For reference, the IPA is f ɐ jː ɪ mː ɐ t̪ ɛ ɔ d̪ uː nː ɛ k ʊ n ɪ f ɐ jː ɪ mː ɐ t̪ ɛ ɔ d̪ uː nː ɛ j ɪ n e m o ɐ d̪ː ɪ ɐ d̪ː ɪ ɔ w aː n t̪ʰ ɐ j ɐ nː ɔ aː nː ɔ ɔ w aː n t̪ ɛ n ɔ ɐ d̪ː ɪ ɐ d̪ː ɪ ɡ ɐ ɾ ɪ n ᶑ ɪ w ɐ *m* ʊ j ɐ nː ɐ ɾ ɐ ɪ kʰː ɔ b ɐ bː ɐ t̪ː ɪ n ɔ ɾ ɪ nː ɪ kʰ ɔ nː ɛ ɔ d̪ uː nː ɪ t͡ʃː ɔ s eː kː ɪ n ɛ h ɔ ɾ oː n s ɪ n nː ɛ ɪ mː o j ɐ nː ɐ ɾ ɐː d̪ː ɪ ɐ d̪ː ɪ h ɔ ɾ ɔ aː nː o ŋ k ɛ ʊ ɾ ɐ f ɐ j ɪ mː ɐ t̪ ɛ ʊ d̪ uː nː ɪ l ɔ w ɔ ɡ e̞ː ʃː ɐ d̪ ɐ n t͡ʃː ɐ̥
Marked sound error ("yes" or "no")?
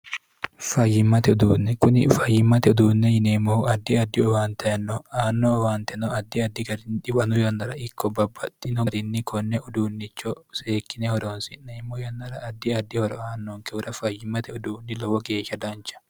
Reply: yes